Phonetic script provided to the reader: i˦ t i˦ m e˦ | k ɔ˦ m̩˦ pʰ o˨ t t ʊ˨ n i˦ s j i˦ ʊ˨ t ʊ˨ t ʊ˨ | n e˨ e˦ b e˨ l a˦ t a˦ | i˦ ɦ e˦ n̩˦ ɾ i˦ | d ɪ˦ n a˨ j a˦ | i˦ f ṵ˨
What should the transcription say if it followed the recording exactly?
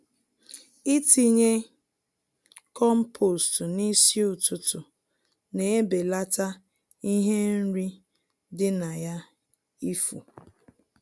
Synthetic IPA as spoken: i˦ t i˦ ɲ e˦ | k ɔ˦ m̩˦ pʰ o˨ s t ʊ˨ n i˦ s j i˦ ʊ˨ t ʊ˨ t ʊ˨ | n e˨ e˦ b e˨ l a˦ t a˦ | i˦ ɦ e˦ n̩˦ ɾ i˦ | d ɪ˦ n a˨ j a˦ | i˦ f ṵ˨

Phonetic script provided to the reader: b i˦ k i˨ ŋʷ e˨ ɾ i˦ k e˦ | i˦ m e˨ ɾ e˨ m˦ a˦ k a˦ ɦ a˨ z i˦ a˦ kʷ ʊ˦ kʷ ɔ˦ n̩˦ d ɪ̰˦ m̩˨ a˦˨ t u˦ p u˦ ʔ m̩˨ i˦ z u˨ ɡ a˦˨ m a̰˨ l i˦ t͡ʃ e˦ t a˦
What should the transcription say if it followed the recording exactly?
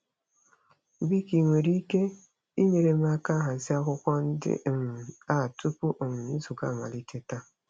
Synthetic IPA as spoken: b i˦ k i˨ ŋʷ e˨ ɾ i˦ k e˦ | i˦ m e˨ ɾ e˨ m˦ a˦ k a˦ ɦ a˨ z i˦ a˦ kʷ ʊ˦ kʷ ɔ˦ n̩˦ d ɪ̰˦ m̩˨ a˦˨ t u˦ p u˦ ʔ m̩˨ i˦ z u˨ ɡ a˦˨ m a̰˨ l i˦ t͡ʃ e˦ t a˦

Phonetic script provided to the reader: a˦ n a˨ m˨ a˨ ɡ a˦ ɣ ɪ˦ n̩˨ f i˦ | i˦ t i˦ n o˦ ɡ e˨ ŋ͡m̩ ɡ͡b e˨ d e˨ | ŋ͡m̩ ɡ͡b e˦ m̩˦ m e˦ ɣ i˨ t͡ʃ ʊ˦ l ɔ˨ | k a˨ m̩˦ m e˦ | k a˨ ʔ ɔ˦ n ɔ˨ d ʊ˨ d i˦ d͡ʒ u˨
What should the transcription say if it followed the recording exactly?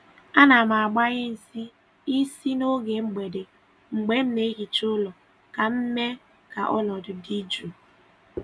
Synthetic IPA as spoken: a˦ n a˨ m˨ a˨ ɡ͡b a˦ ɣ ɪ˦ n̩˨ s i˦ | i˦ s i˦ n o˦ ɡ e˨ ŋ͡m̩ ɡ͡b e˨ d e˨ | ŋ͡m̩ ɡ͡b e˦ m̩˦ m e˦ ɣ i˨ t͡ʃ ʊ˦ l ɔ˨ | k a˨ m̩˦ m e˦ | k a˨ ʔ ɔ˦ n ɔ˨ d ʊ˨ d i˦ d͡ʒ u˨

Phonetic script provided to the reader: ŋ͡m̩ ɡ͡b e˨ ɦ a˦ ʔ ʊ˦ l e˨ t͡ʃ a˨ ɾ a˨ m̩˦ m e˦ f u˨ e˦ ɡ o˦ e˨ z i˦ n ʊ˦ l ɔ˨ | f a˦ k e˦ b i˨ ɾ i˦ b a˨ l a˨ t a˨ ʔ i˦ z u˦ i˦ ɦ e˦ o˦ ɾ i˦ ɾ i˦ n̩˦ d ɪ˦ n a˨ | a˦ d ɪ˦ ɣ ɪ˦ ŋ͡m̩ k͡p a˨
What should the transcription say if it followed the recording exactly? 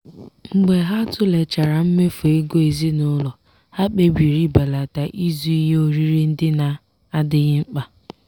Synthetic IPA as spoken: ŋ͡m̩ ɡ͡b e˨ ɦ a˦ t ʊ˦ l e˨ t͡ʃ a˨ ɾ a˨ m̩˦ m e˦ f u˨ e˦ ɡ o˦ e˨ z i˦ n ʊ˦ l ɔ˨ | h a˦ k͡p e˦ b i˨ ɾ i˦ b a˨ l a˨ t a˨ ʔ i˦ z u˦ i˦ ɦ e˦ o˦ ɾ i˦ ɾ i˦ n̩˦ d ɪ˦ n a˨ | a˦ d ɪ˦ ɣ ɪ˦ ŋ͡m̩ k͡p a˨

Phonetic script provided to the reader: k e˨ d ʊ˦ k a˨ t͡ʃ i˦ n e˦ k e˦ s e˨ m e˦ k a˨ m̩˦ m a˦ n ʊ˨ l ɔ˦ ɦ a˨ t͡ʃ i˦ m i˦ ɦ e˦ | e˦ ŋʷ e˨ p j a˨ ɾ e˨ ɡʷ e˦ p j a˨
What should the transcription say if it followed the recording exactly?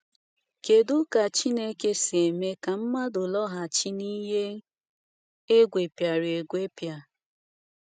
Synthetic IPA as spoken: k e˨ d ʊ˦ k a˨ t͡ʃ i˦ n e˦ k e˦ s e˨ m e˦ k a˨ m̩˦ m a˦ d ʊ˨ l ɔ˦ ɦ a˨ t͡ʃ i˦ n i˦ ɦ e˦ | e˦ ɡʷ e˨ p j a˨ ɾ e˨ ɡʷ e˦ p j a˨

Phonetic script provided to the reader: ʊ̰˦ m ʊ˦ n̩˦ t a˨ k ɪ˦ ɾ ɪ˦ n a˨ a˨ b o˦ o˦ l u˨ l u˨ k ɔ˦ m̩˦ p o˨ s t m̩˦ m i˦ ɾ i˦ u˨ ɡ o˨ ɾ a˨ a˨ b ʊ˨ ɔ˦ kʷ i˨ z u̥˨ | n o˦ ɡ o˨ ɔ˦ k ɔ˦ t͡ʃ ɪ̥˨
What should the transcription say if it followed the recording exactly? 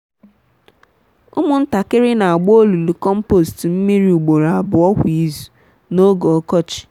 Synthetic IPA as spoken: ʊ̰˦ m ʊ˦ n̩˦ t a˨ k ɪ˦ ɾ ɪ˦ n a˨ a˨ ɡ͡b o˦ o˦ l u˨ l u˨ k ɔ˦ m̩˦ p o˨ s t m̩˦ m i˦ ɾ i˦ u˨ ɡ͡b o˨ ɾ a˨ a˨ b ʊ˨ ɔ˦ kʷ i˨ z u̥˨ | n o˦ ɡ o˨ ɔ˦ k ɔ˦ t͡ʃ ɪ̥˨

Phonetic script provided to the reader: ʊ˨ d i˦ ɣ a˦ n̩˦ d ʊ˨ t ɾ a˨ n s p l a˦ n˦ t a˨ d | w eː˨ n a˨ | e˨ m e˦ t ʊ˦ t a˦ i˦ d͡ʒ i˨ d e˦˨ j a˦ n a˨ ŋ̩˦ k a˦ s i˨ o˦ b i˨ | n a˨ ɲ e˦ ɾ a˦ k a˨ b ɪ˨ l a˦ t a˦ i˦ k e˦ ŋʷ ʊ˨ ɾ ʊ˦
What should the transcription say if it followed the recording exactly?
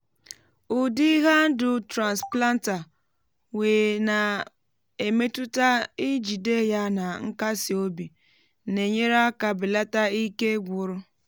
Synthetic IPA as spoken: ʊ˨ d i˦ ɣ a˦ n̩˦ d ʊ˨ t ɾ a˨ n s p l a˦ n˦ t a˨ | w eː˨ n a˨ | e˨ m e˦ t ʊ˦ t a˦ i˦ d͡ʒ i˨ d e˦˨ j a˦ n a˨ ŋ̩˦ k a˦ s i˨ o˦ b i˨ | n e˨ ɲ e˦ ɾ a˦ k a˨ b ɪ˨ l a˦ t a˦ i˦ k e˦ ɡʷ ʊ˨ ɾ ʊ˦

